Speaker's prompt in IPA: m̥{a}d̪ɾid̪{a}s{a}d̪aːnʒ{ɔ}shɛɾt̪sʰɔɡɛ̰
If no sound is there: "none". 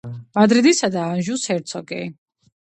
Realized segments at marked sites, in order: a, i, a, u

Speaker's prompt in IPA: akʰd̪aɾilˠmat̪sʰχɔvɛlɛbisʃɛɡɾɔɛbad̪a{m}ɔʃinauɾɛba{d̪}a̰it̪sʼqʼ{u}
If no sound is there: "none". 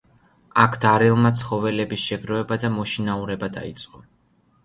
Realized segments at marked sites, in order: m, d̪, ɔ

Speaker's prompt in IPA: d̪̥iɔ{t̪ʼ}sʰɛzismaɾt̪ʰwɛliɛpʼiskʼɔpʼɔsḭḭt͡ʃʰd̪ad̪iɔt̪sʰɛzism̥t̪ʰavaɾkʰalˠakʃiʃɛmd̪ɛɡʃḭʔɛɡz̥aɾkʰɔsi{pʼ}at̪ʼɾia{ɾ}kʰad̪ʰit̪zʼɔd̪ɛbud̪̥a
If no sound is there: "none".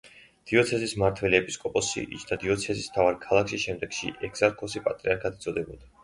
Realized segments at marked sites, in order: t̪, pʼ, ɾ

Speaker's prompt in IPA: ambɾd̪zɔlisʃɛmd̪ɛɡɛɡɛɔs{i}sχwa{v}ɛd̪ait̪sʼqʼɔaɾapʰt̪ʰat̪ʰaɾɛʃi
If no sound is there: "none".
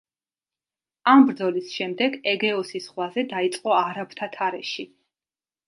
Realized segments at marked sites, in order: i, z

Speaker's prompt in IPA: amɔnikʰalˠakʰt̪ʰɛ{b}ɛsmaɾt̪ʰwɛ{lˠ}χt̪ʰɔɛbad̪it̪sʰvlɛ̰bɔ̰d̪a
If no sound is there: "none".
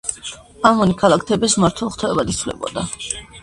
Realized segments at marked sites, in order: b, lˠ

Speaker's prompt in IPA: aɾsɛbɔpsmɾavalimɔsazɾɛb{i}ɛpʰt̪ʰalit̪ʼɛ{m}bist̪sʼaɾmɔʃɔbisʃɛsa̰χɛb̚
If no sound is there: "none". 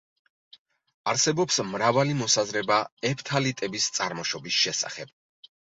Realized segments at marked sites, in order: a, none

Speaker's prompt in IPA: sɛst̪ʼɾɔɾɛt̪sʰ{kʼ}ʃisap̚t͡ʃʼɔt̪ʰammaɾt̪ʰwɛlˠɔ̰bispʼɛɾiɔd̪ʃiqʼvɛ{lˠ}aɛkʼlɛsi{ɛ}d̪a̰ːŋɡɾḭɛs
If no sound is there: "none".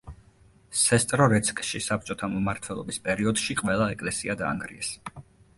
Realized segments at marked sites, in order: kʼ, lˠ, a

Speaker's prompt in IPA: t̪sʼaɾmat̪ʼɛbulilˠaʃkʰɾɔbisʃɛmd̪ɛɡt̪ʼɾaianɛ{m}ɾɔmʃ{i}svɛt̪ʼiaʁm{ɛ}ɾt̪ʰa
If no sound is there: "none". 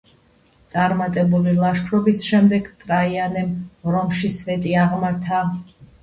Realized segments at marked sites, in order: m, i, a

